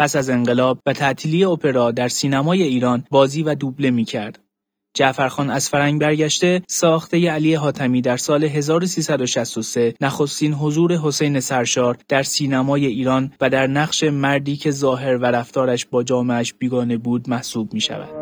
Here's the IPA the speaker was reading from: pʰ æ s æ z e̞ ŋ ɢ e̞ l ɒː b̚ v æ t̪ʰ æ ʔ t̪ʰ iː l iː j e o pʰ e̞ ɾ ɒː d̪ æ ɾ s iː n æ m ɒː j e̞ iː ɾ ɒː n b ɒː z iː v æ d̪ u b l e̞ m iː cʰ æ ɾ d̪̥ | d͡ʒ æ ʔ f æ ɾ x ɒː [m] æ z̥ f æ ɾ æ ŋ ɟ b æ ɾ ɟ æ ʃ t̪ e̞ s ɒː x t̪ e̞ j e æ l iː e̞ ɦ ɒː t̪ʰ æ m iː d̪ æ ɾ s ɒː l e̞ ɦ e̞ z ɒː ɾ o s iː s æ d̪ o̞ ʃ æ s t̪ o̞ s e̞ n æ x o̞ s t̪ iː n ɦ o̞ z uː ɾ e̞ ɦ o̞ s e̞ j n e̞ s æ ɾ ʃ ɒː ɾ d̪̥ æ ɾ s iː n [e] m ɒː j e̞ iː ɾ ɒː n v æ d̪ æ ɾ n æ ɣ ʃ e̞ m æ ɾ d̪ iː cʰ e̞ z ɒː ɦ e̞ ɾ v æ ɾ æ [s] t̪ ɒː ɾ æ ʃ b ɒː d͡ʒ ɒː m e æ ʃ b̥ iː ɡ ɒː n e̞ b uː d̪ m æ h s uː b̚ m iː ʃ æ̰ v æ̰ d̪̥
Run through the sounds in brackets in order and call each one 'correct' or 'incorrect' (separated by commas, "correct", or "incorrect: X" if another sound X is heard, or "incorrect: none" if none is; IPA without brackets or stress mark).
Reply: incorrect: n, incorrect: æ, incorrect: f